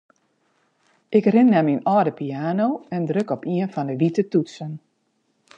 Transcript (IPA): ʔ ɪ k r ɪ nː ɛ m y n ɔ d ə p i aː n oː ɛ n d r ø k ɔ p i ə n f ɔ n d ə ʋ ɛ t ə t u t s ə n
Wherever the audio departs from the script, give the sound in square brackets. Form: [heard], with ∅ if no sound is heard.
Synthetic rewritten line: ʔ ɪ k r ɪ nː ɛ m [i] n ɔ d ə p i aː n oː ɛ n d r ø k ɔ p i ə n f ɔ n d ə ʋ [i] t ə t u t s ə n